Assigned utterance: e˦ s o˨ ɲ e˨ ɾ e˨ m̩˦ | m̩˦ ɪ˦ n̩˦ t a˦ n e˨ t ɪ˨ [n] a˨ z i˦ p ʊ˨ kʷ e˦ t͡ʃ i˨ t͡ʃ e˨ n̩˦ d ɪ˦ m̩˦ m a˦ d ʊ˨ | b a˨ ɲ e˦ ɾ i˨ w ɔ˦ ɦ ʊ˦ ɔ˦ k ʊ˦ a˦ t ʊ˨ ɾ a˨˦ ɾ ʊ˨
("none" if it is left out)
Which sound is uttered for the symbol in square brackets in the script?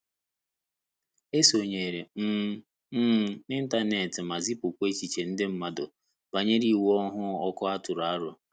m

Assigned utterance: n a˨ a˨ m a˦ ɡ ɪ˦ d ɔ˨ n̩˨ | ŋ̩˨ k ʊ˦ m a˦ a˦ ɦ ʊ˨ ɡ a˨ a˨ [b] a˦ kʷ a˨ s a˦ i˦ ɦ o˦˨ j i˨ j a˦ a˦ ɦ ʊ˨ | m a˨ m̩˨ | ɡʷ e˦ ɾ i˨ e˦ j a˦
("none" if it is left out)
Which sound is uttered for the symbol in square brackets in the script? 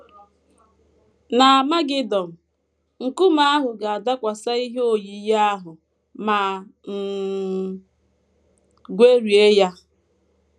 d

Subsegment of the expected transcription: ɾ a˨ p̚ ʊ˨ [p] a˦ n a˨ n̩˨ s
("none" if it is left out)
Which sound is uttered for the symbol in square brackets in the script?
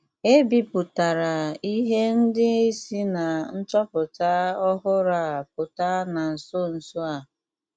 t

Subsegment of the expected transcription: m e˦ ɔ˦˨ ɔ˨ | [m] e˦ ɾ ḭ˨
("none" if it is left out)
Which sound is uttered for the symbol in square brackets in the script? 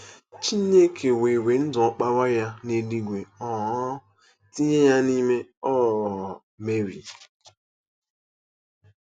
m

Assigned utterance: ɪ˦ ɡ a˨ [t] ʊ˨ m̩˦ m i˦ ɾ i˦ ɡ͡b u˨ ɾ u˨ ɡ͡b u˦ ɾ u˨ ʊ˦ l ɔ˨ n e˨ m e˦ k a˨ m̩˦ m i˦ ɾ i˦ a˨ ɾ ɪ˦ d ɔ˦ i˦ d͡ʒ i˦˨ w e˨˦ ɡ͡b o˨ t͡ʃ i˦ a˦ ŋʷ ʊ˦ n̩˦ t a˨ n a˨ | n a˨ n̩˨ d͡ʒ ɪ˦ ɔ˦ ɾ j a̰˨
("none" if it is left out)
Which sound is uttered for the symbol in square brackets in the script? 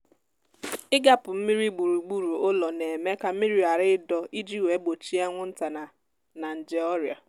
p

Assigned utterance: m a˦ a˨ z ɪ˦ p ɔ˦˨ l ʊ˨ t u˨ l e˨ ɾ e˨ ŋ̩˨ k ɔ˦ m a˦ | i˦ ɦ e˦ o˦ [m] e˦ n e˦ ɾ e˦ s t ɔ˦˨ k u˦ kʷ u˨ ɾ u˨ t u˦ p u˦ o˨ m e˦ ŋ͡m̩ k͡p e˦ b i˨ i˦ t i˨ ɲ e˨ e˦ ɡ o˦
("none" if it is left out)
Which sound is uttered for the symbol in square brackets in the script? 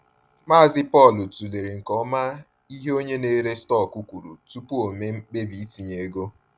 ɲ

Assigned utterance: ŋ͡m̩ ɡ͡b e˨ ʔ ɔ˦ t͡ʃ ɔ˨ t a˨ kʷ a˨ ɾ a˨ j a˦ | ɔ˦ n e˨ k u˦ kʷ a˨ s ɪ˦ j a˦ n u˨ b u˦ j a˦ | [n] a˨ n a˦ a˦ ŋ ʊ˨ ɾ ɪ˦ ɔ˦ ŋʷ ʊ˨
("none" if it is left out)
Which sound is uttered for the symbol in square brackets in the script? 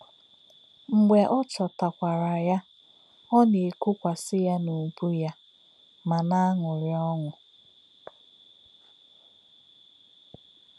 m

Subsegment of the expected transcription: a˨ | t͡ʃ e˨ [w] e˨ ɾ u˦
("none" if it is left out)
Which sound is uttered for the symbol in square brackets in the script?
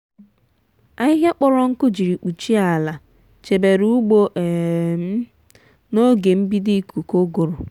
b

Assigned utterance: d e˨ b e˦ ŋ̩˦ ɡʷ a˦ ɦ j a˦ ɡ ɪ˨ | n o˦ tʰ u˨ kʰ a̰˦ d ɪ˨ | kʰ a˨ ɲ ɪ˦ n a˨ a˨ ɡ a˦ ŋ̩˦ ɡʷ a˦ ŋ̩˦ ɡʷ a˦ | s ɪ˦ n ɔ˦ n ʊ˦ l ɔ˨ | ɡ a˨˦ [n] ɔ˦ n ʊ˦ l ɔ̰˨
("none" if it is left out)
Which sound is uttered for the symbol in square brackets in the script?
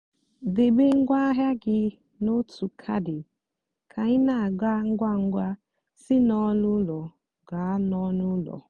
n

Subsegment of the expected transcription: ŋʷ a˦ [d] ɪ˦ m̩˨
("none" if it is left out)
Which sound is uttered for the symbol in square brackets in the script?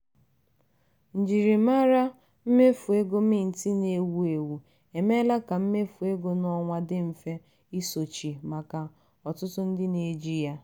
d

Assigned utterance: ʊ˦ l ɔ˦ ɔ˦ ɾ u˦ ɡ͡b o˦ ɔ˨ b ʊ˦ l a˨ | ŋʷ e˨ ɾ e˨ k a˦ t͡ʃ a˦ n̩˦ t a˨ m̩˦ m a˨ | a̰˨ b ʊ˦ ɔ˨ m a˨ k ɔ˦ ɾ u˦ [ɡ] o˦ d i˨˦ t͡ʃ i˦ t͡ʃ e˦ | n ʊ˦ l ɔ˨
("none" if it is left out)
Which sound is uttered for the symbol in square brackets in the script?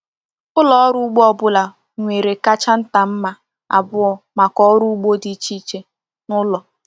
ɡ͡b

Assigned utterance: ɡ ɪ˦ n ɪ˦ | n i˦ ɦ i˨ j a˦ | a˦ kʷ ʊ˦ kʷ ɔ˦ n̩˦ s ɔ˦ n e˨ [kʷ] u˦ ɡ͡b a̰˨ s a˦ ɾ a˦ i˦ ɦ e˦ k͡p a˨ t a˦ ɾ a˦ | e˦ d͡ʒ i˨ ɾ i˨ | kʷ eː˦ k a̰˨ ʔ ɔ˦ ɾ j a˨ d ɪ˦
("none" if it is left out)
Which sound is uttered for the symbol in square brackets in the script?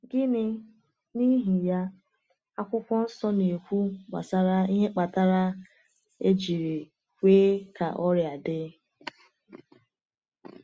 kʷ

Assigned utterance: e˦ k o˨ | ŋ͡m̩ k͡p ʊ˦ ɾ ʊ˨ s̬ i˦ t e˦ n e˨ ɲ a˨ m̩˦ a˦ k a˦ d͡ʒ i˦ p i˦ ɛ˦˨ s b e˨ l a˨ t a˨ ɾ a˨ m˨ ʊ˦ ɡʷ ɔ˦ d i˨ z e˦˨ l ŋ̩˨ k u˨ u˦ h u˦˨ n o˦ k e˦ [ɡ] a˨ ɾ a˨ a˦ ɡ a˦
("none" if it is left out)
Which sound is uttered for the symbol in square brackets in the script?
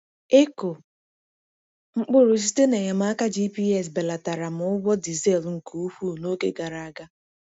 ɡ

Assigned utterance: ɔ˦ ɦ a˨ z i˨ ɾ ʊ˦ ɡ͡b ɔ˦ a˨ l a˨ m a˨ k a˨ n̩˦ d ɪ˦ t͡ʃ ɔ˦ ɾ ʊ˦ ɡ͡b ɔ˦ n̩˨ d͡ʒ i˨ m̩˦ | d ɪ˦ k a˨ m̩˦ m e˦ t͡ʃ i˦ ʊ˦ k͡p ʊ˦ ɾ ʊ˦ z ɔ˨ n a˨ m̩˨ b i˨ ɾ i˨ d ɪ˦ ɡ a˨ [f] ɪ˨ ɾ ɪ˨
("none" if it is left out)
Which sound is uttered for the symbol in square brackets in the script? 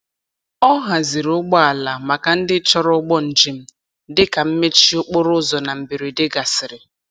s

